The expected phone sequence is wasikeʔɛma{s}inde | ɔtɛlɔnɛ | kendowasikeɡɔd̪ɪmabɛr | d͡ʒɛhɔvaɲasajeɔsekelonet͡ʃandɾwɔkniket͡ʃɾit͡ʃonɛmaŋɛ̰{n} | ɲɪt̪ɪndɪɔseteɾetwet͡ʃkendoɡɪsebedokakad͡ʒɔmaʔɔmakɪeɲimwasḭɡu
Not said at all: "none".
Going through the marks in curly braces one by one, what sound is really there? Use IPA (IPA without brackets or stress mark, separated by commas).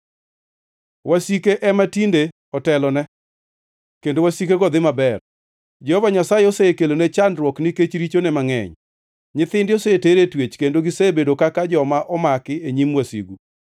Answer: t, ɲ